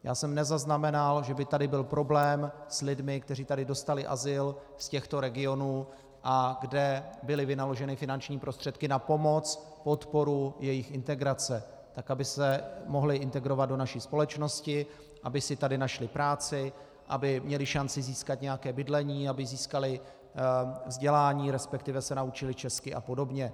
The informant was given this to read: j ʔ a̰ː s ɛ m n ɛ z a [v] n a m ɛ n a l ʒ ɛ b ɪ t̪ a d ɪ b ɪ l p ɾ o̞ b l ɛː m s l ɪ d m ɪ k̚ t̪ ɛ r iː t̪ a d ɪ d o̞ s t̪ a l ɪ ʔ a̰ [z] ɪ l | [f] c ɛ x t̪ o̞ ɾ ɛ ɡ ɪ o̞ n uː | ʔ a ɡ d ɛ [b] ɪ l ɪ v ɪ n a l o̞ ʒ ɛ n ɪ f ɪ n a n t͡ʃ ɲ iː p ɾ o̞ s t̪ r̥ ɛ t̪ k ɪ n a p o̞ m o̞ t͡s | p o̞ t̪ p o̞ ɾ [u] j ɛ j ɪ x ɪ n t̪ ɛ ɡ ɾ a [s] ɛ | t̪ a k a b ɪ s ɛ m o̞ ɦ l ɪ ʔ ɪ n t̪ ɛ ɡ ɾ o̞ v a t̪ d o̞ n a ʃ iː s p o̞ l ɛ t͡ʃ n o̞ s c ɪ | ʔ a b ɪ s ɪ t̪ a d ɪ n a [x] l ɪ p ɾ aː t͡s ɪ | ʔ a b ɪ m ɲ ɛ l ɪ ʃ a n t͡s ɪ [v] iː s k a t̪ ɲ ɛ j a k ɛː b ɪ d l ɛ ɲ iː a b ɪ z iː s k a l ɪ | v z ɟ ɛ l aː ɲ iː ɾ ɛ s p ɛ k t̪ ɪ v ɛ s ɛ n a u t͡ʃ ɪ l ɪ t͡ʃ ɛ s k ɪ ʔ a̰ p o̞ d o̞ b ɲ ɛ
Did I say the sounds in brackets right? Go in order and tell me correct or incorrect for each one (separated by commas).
incorrect, correct, incorrect, correct, correct, incorrect, incorrect, incorrect